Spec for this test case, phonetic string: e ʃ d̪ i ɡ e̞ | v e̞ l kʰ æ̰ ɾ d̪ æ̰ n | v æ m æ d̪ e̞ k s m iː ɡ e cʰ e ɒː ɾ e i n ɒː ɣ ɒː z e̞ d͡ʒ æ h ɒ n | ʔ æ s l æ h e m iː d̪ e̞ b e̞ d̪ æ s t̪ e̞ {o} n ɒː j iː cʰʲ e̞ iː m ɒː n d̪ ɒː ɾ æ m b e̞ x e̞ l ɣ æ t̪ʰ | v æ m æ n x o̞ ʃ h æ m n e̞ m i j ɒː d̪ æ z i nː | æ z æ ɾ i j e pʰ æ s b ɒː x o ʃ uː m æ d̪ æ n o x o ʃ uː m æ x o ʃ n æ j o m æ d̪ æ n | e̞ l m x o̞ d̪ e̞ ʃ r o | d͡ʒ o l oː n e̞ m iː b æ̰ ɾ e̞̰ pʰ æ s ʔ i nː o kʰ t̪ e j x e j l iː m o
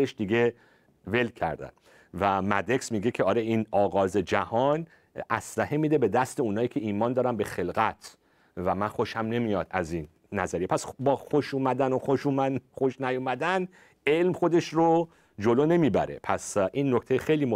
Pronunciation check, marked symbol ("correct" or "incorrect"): incorrect